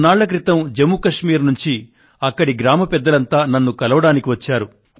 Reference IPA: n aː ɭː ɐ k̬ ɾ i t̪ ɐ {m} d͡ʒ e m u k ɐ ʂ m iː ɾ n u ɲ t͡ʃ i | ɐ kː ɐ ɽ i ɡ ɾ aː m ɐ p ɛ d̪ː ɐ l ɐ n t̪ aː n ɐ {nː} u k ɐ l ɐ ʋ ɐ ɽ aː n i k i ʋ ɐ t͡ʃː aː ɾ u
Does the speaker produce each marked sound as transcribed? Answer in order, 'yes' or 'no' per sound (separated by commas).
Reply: yes, yes